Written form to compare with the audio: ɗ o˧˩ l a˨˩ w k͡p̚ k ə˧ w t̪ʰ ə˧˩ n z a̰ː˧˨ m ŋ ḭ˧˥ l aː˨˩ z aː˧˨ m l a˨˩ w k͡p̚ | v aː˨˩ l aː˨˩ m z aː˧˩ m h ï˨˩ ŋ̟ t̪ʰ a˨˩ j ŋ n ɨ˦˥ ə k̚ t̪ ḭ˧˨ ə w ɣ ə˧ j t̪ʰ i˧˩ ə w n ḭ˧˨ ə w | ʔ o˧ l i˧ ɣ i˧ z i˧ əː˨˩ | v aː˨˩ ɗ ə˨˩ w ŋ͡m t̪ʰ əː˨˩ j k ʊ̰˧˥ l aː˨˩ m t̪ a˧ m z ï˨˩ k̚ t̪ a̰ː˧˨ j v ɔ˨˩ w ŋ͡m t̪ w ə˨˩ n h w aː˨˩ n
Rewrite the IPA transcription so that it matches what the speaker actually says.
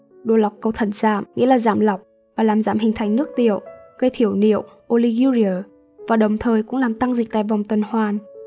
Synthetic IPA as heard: ɗ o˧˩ l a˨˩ w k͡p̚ k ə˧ w t̪ʰ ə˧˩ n z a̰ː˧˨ m ŋ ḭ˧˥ l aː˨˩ z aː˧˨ m l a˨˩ w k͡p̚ | v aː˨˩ l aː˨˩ m z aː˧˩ m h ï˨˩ ŋ̟ t̪ʰ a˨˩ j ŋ n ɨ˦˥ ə k̚ t̪ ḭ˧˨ ə w ɣ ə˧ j t̪ʰ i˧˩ ə w n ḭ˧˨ ə w | ʔ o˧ l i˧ ɣ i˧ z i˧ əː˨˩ | v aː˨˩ ɗ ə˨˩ w ŋ͡m t̪ʰ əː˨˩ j k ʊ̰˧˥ l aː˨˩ m t̪ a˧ ŋ z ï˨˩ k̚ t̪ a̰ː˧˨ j v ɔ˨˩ w ŋ͡m t̪ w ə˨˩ n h w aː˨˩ n